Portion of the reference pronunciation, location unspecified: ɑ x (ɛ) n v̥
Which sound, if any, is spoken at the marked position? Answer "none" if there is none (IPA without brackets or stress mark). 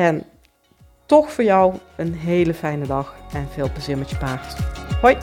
ɛ